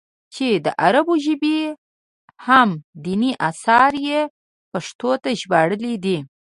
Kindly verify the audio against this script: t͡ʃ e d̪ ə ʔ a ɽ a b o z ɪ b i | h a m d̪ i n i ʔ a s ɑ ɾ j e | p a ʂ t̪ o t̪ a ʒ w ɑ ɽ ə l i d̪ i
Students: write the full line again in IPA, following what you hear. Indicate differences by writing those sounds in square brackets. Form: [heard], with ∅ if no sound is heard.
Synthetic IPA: t͡ʃ e d̪ ə ʔ a [ɾ] a b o [ʒ] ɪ b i | h a m d̪ i n i ʔ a s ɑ ɾ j e | p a ʂ t̪ o t̪ a ʒ [b] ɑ ɽ ə l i d̪ i